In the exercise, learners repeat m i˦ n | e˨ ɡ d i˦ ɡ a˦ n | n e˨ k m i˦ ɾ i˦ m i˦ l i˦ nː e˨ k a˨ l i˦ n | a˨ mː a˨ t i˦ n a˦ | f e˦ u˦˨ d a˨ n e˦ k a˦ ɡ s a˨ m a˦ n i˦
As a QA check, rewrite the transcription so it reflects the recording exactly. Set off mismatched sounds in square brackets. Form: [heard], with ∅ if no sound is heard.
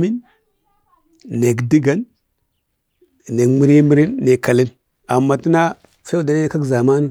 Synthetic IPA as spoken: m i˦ n | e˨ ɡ d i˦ ɡ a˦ n | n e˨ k m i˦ ɾ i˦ m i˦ [ɾ] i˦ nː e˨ k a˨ l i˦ n | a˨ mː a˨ t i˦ n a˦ | f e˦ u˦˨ d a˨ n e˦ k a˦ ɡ [z] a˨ m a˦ n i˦

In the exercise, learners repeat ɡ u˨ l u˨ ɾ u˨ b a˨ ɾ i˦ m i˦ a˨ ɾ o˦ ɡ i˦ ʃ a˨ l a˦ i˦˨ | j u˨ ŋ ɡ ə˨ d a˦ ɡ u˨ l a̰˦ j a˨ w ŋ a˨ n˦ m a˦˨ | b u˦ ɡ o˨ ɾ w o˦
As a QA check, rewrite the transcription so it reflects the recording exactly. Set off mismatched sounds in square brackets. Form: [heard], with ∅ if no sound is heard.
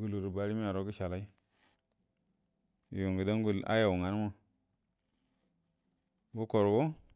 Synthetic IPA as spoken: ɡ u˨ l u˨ ɾ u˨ b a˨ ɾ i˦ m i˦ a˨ ɾ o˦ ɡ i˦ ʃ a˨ l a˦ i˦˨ | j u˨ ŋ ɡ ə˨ d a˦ ɡ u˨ l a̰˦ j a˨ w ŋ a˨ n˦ m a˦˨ | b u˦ [k] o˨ ɾ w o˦

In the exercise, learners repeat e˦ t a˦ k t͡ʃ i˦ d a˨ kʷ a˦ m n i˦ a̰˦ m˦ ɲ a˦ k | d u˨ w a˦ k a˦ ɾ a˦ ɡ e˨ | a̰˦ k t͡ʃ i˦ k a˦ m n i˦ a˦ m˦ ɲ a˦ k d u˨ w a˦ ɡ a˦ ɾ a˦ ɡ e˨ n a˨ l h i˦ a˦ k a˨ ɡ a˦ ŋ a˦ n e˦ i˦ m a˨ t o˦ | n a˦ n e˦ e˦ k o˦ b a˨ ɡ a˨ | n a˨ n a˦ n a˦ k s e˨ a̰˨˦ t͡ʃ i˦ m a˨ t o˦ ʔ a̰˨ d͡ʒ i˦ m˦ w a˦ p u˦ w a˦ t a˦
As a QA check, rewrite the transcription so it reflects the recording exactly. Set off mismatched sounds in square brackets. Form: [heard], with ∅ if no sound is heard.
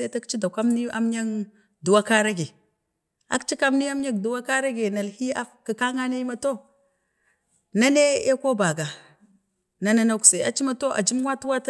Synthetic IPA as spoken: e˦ t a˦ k t͡ʃ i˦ d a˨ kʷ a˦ m n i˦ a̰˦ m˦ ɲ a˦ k | d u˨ w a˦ k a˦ ɾ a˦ ɡ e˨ | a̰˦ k t͡ʃ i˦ k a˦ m n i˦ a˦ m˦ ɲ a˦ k d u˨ w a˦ [k] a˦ ɾ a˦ ɡ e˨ n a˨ l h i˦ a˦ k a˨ [k] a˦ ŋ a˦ n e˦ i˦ m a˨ t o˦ | n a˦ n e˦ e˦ k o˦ b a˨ ɡ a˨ | n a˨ n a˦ n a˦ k s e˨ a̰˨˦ t͡ʃ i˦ m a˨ t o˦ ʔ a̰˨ d͡ʒ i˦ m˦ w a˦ [t] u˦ w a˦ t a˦

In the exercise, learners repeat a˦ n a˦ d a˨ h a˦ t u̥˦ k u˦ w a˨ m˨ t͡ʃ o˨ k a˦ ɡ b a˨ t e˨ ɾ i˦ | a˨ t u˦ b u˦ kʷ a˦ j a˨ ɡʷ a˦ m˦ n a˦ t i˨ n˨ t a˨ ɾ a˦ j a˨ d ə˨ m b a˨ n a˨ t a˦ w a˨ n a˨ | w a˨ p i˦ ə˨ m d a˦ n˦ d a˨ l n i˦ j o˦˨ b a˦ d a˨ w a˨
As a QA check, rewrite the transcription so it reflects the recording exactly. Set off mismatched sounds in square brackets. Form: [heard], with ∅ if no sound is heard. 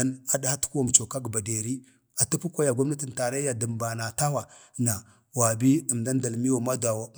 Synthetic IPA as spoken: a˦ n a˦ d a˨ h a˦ t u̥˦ k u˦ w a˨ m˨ t͡ʃ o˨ k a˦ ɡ b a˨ [d] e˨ ɾ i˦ | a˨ t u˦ [p] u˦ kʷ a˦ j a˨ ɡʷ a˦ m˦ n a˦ t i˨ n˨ t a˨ ɾ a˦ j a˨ d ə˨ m b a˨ n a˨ t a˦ w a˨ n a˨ | w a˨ [b] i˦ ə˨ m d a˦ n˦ d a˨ l [m] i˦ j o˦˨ [m] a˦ d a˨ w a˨

